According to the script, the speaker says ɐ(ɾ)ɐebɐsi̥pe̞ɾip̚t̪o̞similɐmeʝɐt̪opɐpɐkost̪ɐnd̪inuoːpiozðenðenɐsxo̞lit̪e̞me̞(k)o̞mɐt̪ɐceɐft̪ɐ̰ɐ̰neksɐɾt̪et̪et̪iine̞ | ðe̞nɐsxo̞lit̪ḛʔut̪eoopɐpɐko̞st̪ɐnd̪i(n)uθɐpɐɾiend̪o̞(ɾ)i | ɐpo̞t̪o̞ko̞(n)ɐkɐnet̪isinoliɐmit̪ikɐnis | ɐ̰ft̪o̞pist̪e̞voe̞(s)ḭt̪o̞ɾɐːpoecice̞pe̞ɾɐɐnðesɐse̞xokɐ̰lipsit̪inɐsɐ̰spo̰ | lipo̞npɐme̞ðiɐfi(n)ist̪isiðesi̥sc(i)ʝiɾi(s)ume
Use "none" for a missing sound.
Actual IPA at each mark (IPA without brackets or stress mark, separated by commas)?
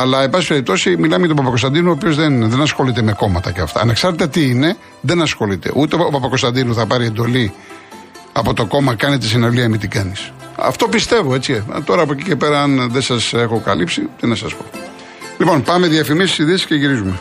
l, k, n, l, m, t͡s, m, e, z